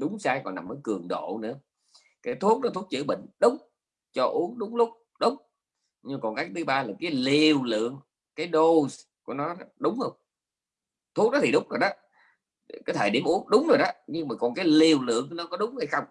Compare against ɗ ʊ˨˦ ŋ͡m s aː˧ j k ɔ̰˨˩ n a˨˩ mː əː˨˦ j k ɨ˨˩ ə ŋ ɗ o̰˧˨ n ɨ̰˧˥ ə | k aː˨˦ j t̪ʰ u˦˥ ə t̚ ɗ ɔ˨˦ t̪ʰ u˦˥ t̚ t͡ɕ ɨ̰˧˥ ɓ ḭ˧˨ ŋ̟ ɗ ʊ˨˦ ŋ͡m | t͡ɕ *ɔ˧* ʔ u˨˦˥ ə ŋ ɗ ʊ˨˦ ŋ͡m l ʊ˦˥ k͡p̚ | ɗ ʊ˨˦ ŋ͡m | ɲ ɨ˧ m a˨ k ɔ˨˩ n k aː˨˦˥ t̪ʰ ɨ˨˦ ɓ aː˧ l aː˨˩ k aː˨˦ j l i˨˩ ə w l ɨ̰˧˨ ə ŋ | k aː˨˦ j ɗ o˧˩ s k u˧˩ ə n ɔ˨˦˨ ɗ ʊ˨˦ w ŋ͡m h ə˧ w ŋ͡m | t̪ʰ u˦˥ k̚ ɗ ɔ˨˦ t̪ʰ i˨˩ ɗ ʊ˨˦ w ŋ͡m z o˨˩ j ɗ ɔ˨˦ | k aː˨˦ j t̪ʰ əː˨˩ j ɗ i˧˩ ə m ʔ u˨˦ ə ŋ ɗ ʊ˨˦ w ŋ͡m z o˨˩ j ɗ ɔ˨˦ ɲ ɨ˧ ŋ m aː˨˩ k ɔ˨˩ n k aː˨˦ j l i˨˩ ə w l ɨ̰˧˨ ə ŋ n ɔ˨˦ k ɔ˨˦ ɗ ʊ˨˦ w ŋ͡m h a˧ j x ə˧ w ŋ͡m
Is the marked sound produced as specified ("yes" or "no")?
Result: yes